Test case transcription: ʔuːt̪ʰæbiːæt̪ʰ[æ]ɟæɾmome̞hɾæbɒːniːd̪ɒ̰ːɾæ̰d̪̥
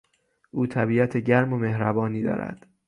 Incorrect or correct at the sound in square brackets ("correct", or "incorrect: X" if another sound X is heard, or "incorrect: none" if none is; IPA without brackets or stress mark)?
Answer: incorrect: e